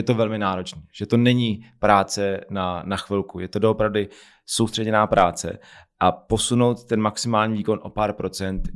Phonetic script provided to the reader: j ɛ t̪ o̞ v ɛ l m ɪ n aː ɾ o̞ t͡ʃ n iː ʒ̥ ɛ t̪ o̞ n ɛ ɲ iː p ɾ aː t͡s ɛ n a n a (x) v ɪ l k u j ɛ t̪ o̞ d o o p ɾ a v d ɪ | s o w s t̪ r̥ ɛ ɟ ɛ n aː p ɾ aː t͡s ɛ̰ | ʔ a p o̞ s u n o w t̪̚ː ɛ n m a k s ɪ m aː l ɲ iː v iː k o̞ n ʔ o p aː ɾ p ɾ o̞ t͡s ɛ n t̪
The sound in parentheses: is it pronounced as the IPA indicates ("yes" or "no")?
yes